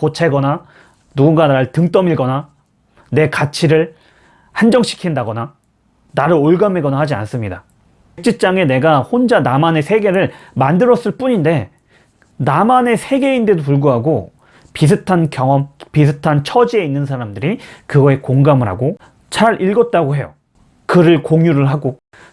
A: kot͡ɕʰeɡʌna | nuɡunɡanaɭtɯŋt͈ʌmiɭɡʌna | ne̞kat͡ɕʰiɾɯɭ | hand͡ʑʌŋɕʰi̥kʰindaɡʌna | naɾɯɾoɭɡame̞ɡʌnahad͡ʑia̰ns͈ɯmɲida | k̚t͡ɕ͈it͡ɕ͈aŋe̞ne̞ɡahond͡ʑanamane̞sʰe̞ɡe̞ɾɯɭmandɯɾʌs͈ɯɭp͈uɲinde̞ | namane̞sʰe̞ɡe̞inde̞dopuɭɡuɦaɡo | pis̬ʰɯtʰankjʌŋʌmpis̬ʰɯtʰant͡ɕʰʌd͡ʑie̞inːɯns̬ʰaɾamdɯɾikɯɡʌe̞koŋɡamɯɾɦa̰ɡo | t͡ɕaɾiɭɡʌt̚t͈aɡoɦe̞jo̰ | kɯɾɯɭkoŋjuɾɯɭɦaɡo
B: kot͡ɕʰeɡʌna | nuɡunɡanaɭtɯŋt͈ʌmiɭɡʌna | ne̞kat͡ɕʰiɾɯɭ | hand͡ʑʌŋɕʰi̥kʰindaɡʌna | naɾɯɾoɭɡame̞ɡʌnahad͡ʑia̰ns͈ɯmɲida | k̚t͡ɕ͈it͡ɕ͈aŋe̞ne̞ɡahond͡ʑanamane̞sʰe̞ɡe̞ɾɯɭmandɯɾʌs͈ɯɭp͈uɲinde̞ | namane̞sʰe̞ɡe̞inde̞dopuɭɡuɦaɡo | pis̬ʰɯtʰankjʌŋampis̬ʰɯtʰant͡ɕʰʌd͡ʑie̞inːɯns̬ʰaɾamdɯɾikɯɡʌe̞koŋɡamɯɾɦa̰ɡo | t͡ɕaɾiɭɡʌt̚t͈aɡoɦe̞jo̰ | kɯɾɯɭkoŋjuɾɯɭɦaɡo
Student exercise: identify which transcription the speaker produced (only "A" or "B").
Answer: A